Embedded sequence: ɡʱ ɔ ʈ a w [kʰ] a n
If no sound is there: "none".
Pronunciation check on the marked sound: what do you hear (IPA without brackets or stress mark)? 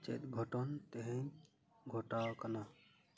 k